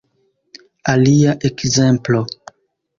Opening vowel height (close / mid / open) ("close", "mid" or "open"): open